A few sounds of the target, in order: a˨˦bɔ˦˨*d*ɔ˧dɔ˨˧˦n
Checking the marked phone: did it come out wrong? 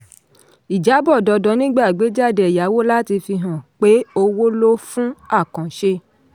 no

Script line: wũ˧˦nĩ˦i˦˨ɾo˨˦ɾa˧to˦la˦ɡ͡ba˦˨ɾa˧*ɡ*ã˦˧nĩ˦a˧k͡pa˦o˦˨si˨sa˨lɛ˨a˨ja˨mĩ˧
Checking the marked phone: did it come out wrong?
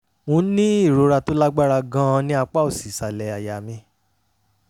no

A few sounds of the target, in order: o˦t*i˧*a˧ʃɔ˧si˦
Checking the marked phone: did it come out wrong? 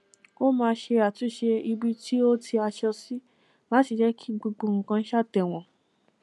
no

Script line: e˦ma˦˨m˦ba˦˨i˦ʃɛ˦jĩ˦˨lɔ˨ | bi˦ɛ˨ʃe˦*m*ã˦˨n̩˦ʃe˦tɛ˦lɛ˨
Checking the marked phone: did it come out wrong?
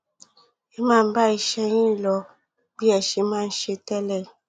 no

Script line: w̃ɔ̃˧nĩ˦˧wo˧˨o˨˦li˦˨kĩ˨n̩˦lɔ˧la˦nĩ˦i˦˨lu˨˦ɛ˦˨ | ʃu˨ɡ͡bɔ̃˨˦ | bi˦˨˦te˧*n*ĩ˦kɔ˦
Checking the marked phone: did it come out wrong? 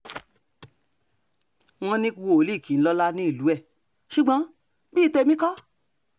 yes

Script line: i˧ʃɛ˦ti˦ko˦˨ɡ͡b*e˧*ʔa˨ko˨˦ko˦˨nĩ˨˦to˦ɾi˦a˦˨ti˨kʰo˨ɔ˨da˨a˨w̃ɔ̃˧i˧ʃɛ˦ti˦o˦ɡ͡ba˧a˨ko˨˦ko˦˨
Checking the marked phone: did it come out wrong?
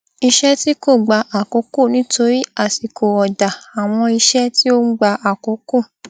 yes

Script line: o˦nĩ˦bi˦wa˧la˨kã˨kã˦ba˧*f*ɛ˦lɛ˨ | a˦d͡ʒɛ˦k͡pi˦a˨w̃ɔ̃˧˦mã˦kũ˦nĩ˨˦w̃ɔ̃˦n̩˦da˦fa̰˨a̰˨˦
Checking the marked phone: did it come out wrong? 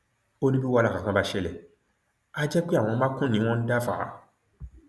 yes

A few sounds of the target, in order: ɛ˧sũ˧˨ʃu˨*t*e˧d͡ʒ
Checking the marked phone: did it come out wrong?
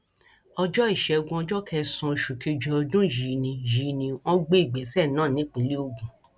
yes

